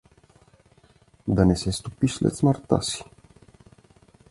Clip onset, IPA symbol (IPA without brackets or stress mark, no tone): d̪